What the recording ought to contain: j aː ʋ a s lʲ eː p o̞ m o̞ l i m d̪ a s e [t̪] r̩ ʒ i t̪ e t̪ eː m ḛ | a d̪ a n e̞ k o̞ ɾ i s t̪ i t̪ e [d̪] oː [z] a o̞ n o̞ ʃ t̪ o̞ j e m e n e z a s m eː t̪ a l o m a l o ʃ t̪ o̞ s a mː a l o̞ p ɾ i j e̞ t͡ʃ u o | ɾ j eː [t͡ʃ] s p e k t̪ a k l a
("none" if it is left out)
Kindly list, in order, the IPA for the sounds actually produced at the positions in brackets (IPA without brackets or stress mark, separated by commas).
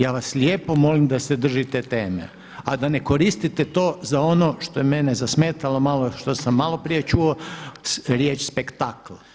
d̪, t̪, z, t͡ʃ